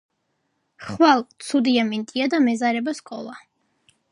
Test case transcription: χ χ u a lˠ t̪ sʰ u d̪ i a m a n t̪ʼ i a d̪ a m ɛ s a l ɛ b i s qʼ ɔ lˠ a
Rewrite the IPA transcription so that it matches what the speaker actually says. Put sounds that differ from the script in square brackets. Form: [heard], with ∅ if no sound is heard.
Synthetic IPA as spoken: χ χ [w] a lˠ t̪ sʰ u d̪ i a m [i] n t̪ʼ i a d̪ a m ɛ [z] a [ɾ] ɛ b [a] s [kʼ] ɔ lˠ a